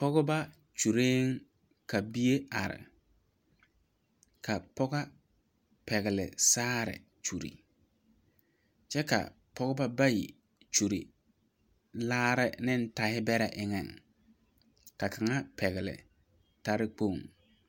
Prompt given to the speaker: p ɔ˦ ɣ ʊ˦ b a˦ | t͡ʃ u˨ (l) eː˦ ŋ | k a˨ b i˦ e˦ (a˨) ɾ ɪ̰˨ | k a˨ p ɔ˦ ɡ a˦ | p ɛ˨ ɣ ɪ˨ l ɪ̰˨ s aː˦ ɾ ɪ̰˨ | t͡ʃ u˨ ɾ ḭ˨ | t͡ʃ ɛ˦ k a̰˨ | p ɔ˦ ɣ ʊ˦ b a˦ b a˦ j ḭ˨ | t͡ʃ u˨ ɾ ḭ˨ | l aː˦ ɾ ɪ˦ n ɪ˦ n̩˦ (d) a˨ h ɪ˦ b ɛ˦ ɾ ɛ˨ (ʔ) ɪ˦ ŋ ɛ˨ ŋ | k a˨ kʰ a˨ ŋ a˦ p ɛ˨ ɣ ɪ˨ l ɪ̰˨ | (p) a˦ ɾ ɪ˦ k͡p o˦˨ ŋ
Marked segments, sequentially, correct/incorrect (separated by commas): incorrect, correct, incorrect, correct, incorrect